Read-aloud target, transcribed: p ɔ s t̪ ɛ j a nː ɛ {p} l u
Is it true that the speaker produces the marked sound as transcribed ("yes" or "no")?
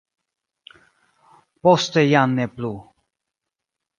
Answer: yes